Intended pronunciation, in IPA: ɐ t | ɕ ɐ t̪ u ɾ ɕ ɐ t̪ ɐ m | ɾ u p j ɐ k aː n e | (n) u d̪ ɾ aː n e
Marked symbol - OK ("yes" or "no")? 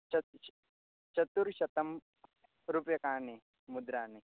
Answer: no